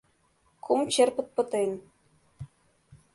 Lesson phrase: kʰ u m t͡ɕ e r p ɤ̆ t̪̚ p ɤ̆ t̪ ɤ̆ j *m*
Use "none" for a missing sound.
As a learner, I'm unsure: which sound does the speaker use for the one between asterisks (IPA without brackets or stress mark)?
n